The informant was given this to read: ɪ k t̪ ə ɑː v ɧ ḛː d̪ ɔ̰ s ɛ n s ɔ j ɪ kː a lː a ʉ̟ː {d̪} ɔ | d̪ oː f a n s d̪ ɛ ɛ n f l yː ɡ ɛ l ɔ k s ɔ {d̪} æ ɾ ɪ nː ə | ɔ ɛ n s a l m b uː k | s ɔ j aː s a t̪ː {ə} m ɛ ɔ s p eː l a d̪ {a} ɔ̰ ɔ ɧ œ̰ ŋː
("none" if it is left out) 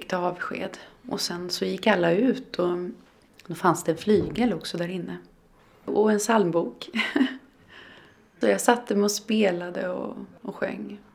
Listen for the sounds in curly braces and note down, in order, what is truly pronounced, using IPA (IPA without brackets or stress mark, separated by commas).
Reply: t̪, d̪, ə, ə